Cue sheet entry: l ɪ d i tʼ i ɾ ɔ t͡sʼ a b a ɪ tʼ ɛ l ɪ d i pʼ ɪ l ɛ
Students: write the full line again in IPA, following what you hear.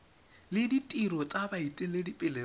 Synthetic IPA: l ɪ d i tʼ i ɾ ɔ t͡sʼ a b a i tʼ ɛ l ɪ d i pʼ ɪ l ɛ